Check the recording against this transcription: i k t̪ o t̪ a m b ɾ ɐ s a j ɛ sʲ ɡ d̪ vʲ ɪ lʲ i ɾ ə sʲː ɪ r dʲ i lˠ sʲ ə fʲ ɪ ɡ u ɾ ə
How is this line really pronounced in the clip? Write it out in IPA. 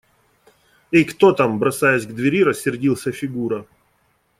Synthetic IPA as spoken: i k t̪ o t̪ a m b ɾ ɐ s a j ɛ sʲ ɡ d̪ vʲ ɪ ɾʲ i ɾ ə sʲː ɪ r dʲ i lˠ sʲ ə fʲ ɪ ɡ u ɾ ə